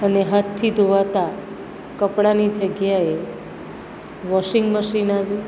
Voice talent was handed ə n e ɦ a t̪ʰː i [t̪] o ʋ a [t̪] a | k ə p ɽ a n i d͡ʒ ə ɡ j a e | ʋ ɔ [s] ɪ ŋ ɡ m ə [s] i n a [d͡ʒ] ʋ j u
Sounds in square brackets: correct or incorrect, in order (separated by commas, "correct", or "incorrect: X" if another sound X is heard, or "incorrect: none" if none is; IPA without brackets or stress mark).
incorrect: d̪, correct, incorrect: ʃ, incorrect: ʃ, incorrect: none